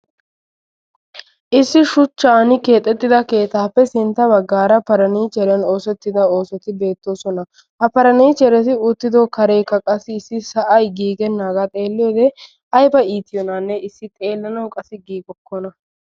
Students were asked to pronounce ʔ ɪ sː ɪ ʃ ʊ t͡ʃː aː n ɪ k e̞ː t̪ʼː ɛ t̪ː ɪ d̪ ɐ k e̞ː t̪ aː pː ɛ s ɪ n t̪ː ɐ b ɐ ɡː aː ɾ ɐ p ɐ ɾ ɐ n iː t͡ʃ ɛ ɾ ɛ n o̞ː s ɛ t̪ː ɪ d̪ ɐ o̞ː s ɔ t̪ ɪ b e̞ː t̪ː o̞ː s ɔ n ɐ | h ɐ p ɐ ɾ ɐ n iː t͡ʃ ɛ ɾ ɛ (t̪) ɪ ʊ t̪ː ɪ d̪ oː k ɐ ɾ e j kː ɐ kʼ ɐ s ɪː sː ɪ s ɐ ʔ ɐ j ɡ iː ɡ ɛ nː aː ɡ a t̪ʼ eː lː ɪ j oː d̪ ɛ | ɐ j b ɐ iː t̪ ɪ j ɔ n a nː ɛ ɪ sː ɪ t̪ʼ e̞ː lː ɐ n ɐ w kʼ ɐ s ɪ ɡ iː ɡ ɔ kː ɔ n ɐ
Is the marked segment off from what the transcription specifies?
no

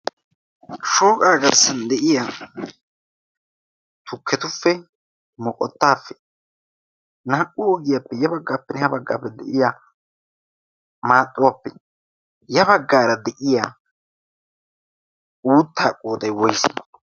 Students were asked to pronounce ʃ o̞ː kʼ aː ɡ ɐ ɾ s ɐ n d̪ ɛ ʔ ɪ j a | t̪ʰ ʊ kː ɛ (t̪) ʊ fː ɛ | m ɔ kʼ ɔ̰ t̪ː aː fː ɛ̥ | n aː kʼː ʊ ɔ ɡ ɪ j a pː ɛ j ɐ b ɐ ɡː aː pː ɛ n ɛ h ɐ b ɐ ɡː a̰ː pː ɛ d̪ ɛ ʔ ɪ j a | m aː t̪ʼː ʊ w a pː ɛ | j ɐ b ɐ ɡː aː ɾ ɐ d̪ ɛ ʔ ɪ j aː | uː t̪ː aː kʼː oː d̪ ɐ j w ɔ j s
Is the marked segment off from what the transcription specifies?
no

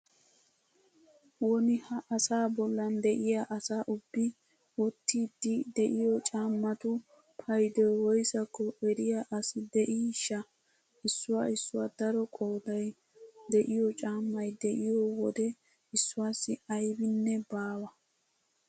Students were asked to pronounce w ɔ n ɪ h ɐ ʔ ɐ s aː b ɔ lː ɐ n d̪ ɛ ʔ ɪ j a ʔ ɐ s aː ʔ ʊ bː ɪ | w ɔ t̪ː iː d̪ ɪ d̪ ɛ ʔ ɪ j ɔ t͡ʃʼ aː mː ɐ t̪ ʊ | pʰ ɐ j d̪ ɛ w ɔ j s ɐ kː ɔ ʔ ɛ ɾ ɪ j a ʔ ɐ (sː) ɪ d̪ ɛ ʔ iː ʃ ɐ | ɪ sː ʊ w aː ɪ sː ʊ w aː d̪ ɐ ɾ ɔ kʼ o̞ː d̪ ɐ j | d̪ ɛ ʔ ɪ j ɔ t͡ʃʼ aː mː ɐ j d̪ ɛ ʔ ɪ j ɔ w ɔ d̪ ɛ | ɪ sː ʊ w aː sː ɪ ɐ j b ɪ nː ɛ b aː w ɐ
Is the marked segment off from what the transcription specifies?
yes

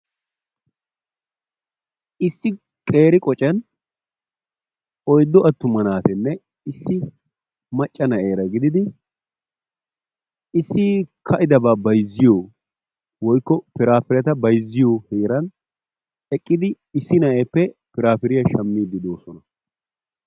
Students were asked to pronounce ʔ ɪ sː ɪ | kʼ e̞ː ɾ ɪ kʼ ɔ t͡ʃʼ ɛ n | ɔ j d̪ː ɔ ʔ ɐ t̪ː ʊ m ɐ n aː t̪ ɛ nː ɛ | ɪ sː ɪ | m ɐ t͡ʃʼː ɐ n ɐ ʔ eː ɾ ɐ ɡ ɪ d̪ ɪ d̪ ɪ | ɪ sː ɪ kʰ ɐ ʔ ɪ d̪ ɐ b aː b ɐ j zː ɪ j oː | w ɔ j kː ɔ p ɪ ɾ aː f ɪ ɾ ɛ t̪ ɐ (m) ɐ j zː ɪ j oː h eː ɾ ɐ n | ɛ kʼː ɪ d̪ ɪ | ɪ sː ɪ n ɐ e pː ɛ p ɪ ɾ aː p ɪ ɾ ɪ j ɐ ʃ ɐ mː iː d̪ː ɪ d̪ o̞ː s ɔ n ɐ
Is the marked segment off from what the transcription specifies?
yes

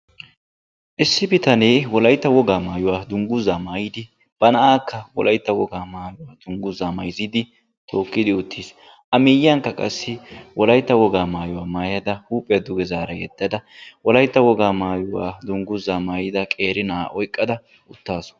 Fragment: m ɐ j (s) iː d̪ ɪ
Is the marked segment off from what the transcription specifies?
yes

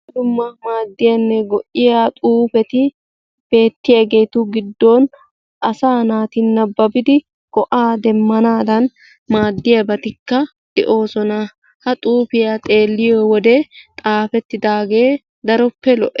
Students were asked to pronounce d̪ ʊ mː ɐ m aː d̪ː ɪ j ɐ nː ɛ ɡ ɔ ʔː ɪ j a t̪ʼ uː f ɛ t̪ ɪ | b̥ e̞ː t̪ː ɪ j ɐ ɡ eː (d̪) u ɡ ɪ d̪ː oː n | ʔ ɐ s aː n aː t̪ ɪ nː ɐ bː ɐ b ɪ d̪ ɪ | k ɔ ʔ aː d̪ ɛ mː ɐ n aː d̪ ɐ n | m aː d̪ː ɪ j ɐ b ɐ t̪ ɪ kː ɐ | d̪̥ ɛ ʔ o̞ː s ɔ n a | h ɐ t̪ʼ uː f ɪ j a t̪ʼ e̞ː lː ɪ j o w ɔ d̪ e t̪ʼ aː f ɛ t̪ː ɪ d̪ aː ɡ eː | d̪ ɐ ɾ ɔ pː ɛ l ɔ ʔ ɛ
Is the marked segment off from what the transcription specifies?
yes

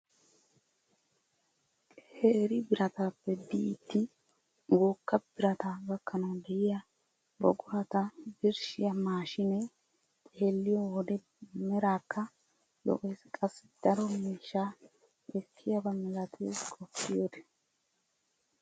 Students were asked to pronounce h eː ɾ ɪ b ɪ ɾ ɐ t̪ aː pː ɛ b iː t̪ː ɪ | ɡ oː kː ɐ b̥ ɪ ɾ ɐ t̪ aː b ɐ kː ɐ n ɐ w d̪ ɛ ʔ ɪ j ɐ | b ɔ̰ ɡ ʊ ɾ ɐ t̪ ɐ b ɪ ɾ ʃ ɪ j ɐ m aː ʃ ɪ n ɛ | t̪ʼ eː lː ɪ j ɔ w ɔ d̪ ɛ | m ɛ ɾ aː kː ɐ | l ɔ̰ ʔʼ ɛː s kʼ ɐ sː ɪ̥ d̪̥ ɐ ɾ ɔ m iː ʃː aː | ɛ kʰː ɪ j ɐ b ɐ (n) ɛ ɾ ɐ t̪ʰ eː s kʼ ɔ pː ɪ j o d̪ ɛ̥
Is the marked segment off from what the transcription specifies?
yes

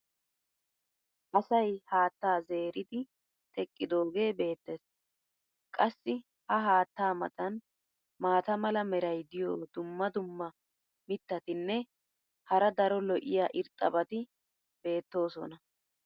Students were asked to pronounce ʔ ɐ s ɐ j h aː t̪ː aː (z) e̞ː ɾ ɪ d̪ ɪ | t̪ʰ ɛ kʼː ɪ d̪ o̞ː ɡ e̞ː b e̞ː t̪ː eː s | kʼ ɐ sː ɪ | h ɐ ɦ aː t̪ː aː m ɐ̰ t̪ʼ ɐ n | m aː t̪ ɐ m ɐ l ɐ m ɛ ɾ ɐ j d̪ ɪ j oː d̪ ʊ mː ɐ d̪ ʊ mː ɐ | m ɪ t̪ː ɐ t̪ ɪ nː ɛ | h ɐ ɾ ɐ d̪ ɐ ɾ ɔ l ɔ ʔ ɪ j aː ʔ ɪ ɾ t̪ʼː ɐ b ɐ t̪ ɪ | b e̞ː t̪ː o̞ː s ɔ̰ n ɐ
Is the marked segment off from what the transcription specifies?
no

